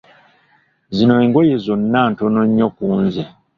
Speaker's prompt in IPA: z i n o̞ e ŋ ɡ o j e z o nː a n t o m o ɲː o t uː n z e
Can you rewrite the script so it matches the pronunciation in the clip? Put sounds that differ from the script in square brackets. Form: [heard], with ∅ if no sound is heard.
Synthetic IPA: z i n o̞ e ŋ ɡ o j e z o nː a n t o [n] o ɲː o [k] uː n z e

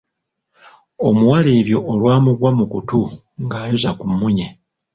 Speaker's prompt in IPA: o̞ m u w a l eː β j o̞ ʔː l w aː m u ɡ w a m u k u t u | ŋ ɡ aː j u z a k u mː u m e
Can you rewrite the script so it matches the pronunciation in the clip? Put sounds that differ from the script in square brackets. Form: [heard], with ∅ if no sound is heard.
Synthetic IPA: o̞ m u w a l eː β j o̞ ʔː l w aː m u ɡ w a m u k u t u | ŋ ɡ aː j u z a k u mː u [ɲ] e

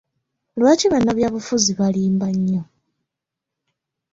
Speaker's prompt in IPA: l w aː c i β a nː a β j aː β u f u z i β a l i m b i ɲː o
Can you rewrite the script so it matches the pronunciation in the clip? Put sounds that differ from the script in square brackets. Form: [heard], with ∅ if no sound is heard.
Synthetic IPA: l w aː c i β a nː a β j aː β u f u z i β a l [iː] m b [a] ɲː o

